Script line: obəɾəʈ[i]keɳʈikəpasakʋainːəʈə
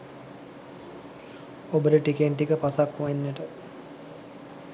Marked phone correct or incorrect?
correct